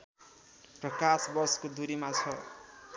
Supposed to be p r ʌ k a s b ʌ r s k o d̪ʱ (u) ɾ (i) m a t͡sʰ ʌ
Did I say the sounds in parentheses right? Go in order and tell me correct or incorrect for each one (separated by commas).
correct, correct